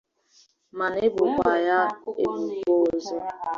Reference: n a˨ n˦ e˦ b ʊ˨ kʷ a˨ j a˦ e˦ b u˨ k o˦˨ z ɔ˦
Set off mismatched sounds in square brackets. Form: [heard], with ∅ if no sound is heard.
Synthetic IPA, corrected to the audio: [m] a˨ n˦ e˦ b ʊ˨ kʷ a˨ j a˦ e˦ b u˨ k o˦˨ z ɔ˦